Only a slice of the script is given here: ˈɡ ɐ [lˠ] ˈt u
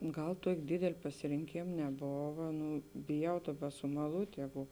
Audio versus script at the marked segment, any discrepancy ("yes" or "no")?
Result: no